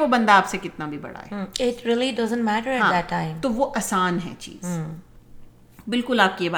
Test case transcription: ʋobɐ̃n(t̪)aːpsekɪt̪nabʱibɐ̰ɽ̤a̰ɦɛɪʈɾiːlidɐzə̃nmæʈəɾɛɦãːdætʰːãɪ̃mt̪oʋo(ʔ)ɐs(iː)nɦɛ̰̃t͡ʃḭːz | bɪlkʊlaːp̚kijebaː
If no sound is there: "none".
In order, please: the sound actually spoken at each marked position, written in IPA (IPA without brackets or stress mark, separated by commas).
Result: d̪, ʔ, aː